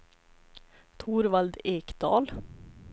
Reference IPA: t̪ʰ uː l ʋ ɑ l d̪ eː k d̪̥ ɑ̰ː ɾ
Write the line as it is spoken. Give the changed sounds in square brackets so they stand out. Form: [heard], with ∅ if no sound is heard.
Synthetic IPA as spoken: t̪ʰ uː [ɾ] ʋ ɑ l d̪ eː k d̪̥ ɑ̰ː [l]